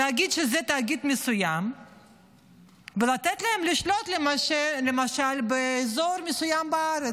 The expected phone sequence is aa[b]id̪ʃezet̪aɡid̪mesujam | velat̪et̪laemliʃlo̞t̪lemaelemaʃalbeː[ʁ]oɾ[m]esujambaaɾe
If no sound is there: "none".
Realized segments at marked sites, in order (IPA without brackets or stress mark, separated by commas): ɡ, z, m